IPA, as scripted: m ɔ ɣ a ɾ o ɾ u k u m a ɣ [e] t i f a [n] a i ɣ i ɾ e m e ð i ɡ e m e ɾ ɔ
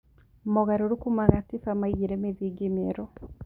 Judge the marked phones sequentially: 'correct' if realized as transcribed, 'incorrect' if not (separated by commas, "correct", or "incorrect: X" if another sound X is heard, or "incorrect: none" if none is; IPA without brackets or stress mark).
incorrect: a, incorrect: m